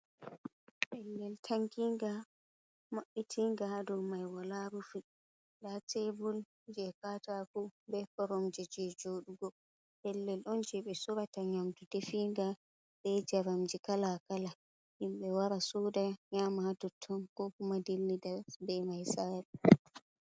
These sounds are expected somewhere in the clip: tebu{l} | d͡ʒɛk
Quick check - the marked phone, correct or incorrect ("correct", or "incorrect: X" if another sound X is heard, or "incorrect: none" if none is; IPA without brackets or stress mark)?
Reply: correct